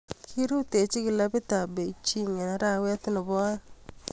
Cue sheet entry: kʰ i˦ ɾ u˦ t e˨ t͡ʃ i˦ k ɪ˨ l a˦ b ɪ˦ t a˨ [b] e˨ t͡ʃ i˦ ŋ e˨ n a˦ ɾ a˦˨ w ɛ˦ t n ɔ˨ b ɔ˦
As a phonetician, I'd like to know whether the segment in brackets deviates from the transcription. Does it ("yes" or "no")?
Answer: no